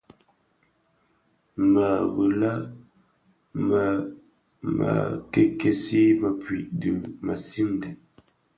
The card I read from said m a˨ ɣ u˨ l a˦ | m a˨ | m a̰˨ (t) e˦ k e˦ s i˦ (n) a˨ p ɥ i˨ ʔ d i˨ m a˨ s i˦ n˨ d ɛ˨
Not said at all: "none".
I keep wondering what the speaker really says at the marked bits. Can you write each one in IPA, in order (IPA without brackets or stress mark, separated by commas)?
k, m